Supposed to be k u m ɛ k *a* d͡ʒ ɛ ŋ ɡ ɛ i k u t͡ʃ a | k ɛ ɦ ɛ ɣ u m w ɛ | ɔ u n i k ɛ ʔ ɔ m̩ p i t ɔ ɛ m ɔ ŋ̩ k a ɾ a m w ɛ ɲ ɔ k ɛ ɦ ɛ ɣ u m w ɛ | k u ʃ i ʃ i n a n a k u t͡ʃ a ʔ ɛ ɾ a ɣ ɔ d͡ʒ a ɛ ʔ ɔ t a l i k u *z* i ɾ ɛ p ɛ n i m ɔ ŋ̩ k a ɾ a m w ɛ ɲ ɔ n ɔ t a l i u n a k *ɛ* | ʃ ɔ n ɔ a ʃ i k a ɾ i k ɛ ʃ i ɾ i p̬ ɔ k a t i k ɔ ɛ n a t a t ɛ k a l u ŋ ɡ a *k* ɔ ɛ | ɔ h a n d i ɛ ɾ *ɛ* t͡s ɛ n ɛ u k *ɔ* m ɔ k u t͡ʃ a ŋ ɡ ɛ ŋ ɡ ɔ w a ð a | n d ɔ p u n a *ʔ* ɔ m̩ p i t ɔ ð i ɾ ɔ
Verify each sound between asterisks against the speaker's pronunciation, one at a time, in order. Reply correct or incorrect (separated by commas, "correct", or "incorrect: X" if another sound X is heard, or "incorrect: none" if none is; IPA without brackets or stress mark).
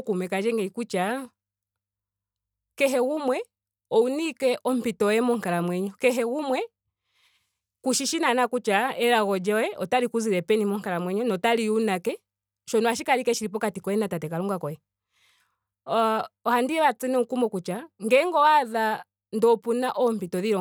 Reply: correct, correct, correct, correct, incorrect: a, incorrect: u, correct